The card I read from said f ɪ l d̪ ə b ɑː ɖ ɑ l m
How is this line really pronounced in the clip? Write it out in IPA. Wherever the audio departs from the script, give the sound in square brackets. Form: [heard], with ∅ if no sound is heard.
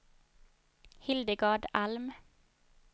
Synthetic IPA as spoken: [h] ɪ l d̪ ə [ɡ] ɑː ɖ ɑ l m